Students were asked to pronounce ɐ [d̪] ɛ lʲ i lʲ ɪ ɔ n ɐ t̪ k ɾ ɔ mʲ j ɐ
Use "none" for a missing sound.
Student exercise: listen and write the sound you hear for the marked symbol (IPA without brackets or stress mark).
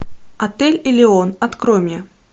t̪